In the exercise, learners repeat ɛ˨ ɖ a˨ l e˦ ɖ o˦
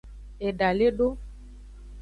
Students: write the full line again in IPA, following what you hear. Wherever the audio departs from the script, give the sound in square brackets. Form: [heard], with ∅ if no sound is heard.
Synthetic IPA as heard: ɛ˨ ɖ a˨ l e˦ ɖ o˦

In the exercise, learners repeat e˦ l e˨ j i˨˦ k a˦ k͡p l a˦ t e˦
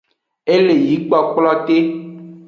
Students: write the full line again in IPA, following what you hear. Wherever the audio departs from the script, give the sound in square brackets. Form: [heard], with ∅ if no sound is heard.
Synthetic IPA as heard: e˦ l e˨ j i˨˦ [k͡p] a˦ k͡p l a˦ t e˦

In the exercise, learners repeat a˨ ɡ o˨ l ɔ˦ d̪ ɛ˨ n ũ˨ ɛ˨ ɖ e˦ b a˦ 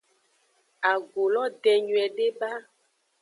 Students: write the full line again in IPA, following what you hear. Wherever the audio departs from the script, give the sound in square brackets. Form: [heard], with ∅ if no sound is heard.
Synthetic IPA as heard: a˨ ɡ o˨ l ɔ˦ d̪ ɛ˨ [ɲ] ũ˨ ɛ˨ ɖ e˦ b a˦

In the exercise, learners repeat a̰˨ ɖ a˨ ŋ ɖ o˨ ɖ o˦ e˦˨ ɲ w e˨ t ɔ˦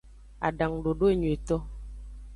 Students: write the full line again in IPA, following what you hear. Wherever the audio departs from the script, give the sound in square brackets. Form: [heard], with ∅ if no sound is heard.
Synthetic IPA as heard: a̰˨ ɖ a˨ ŋ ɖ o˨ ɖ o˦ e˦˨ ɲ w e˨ t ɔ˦

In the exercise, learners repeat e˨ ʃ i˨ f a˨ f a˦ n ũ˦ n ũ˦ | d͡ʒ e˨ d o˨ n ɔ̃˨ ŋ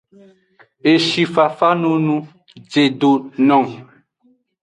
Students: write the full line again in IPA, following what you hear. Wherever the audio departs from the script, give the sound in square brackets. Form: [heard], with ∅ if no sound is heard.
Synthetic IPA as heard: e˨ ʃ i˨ f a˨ f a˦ n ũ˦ n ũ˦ | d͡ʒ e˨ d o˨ n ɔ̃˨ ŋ

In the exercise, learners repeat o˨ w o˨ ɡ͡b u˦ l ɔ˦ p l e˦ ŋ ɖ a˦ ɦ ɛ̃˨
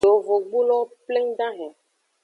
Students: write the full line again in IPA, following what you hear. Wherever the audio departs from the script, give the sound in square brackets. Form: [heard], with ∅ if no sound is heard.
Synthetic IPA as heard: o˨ [v] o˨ ɡ͡b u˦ l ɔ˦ p l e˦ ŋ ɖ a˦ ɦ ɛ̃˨

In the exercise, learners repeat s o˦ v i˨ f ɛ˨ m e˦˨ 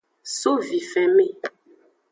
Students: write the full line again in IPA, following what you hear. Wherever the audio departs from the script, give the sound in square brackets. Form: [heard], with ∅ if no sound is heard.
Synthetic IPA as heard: s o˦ v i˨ f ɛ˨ m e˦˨

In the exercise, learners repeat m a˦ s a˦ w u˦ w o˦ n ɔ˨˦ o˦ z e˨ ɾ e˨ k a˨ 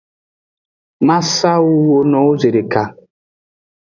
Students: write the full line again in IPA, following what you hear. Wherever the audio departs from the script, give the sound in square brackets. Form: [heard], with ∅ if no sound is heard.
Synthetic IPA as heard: m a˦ s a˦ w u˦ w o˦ n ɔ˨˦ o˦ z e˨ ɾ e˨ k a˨

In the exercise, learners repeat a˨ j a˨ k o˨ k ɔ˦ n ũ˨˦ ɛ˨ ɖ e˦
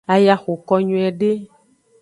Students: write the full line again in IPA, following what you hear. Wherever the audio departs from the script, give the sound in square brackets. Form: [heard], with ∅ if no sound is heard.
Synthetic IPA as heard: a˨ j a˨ [x] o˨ k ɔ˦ [ɲ] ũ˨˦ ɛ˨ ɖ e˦

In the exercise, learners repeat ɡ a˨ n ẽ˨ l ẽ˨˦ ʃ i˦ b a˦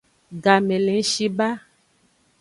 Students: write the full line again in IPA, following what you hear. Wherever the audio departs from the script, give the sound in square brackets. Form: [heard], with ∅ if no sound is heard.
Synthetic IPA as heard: ɡ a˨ [m] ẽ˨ l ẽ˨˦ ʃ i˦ b a˦

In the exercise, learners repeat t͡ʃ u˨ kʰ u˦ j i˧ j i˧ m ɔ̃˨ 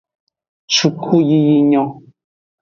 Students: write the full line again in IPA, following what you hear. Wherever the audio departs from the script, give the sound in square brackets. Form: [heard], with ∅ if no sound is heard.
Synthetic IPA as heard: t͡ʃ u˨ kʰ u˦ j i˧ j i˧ [ɲ] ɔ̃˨

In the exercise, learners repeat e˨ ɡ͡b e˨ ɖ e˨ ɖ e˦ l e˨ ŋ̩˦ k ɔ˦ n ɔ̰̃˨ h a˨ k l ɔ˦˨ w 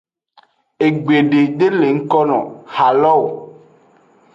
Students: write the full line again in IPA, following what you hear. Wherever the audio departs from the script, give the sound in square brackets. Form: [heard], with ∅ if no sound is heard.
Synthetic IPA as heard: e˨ ɡ͡b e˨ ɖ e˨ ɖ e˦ l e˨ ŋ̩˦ k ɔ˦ n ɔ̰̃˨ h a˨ [∅] l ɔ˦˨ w

